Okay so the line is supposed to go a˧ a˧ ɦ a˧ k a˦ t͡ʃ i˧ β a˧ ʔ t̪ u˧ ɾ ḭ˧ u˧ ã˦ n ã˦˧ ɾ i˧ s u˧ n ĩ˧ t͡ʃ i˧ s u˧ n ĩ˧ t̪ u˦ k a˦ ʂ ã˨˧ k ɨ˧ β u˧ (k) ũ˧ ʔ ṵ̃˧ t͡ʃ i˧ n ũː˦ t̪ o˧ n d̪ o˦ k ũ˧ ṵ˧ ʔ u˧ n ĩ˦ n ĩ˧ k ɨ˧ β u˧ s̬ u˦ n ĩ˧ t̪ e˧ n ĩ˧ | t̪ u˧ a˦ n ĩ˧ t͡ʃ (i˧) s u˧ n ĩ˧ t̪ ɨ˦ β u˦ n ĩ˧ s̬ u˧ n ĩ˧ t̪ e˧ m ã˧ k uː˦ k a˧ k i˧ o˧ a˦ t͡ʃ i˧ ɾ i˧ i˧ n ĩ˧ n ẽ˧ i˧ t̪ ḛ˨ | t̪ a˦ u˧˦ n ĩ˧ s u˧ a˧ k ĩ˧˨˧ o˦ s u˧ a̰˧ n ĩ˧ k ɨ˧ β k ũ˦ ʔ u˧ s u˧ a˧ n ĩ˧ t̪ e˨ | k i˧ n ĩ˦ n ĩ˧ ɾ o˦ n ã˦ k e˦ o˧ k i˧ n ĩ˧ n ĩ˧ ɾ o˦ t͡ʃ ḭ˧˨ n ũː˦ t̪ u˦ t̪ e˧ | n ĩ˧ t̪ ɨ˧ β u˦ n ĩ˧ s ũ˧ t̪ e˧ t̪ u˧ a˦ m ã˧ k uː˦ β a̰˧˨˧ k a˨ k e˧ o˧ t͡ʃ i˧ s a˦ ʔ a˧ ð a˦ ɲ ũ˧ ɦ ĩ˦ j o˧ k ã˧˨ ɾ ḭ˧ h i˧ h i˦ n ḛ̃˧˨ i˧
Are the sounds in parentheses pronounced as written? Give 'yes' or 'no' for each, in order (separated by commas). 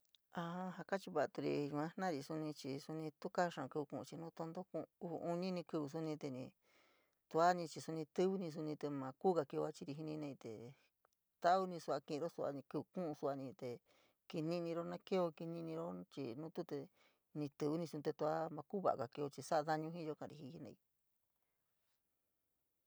yes, yes